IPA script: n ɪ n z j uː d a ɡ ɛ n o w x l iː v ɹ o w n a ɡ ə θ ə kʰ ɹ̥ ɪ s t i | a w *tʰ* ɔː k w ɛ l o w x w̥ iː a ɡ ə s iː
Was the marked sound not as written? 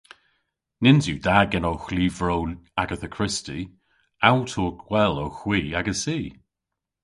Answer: no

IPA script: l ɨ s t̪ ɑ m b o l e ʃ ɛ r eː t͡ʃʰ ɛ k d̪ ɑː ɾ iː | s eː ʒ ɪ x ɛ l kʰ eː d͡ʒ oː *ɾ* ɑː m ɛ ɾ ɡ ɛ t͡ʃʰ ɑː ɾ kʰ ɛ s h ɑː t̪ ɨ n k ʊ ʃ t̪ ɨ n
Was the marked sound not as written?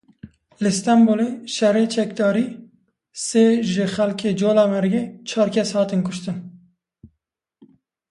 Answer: yes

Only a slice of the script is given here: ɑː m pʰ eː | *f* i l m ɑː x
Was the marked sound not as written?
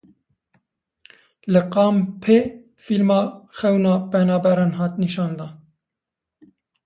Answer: no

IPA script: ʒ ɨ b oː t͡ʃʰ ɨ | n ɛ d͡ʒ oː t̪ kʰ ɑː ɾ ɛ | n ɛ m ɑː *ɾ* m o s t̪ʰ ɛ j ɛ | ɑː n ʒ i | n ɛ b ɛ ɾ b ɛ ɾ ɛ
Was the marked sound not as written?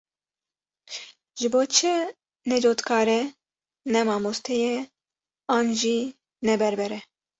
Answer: yes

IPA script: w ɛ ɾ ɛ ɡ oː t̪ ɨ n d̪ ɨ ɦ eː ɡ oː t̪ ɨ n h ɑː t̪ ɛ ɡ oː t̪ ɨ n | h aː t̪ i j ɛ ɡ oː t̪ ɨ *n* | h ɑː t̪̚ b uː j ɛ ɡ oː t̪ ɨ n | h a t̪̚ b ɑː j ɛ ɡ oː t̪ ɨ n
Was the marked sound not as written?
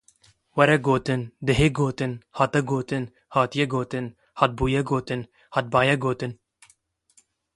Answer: no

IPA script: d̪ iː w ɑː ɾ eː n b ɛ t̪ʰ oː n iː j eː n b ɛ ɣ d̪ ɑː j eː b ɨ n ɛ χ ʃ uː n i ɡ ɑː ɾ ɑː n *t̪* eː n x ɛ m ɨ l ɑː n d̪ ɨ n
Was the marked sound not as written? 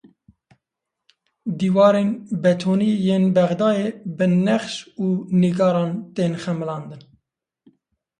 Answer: no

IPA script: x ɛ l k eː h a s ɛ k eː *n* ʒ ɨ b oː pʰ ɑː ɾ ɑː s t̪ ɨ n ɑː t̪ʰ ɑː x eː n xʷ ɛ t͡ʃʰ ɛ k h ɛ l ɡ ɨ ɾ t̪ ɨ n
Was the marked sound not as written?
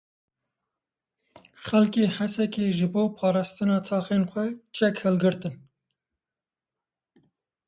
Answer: yes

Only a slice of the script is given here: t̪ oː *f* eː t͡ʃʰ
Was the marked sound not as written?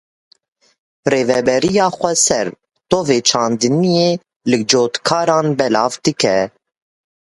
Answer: yes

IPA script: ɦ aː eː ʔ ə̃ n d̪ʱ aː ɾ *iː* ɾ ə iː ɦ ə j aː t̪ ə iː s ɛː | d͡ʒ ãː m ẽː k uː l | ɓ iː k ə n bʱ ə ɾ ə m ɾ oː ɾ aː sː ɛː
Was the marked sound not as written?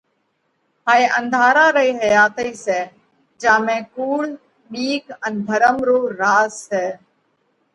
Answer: yes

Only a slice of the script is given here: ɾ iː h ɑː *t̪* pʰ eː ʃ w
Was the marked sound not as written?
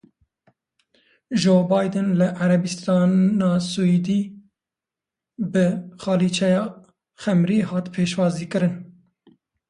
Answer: no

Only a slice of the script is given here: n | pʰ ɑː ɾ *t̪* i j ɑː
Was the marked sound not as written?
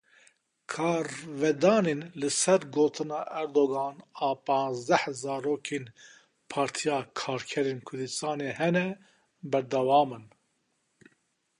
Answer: yes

